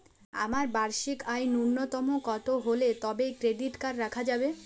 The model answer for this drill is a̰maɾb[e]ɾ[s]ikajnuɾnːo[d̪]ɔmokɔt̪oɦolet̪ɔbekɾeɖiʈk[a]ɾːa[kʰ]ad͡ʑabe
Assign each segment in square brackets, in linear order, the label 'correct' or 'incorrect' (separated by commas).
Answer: incorrect, incorrect, incorrect, correct, correct